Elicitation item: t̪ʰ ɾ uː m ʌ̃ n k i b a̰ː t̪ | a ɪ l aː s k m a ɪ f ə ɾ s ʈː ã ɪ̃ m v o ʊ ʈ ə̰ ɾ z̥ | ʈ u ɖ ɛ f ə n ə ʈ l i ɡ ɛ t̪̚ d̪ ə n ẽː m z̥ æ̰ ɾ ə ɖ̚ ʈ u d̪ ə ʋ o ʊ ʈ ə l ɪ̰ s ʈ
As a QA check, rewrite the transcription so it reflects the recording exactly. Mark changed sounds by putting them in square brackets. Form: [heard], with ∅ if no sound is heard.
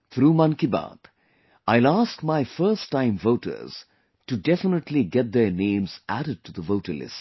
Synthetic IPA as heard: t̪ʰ ɾ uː m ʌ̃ n k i b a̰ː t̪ | a ɪ l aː s k m a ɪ f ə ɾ s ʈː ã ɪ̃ m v o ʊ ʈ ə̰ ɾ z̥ | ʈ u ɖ ɛ f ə n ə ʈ l i ɡ ɛ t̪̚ d̪ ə n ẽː m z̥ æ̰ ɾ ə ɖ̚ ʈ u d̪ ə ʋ o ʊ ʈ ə l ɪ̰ s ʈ